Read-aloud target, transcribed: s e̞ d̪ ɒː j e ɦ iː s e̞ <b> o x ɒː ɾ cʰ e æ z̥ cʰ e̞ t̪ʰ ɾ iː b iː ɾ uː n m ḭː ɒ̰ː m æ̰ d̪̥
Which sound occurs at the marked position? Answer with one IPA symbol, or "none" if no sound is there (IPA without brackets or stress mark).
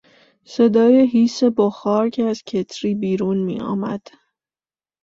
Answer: b